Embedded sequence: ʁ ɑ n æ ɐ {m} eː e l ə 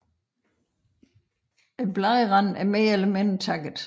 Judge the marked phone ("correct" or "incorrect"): correct